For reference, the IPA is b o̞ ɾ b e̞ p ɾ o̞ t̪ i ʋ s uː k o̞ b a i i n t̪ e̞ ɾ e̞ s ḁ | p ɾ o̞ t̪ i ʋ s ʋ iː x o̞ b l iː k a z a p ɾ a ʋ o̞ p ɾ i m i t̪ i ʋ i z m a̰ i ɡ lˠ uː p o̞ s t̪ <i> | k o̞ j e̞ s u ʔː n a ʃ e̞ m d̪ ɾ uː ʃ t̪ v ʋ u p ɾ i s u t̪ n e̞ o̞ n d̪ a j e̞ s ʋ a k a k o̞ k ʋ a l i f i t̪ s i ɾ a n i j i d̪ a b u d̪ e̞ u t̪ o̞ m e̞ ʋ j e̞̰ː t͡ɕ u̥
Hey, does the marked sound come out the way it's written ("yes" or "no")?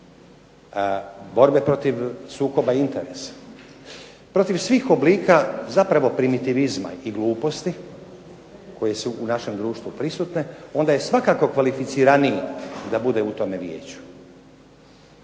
yes